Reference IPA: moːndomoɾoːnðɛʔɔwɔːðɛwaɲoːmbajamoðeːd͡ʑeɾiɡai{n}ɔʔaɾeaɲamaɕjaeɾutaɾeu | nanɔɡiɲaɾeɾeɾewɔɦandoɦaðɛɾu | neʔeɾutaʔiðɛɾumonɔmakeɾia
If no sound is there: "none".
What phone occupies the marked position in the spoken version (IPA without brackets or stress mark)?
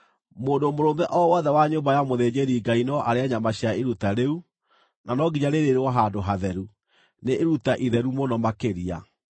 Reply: n